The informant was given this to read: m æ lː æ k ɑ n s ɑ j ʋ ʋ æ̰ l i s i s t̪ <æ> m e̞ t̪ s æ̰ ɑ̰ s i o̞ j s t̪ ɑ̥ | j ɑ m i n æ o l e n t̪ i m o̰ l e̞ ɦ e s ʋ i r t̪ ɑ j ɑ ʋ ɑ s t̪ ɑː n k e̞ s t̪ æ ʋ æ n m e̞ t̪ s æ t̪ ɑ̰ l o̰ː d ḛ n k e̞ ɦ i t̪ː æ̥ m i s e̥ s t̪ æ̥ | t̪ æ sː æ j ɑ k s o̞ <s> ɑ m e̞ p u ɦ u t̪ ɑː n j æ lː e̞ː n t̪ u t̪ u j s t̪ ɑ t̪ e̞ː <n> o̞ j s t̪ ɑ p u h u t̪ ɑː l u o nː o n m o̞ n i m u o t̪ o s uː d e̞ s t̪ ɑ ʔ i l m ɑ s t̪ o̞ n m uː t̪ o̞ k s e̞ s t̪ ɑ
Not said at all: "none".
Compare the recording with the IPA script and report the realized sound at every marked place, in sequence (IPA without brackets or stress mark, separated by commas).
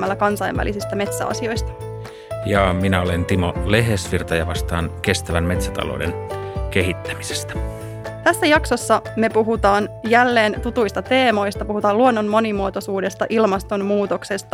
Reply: æ, sː, m